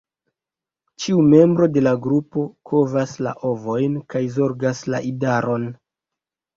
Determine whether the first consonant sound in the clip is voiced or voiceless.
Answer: voiceless